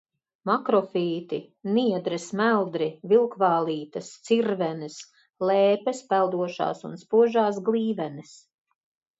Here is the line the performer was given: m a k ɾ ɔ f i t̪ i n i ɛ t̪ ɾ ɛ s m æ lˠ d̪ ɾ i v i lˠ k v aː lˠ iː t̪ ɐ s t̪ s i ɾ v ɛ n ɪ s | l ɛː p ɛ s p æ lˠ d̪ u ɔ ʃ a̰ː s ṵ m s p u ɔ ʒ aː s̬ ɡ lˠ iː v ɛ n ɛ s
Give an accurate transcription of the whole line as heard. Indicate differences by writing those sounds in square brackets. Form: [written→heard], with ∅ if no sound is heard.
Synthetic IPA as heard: m a k ɾ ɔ f [i→iː] t̪ i n i ɛ [t̪→d̪] ɾ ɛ s m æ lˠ d̪ ɾ i v i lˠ k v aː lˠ iː t̪ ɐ s t̪ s i ɾ v ɛ n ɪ s | l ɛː p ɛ s p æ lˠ d̪ u ɔ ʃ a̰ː s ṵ [m→n] s p u ɔ ʒ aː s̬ ɡ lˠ iː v ɛ n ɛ s